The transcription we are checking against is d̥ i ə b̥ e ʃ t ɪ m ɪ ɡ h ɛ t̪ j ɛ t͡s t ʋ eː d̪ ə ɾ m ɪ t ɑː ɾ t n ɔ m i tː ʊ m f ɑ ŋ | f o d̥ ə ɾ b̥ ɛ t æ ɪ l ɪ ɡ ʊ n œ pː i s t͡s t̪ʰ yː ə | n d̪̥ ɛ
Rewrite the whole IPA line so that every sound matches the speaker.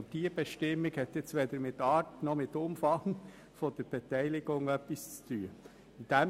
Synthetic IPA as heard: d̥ i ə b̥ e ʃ t ɪ m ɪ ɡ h ɛ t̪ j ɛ t͡s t ʋ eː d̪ ə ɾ m ɪ t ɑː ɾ t n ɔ m ɪ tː ʊ m f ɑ ŋ | f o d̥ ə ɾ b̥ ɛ t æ ɪ l ɪ ɡ ʊ ŋ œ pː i s t͡s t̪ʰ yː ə | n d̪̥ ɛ